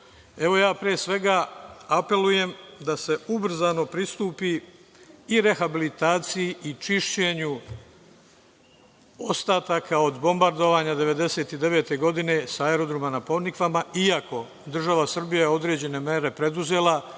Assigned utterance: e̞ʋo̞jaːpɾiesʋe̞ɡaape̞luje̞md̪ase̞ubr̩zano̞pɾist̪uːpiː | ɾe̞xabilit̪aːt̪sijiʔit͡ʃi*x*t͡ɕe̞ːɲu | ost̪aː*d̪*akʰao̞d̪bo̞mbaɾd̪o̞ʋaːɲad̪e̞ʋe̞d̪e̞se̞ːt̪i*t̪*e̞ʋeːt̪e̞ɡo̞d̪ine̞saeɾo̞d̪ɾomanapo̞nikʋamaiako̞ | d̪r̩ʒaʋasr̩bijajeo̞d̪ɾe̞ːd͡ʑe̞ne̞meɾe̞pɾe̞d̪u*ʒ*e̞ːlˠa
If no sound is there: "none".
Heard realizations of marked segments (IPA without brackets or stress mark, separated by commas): ʃ, t̪, d̪, z